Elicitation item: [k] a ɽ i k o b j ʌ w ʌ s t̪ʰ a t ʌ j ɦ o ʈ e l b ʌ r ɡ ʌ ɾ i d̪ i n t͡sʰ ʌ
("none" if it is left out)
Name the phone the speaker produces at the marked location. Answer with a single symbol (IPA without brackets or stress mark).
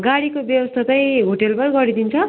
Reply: ɡ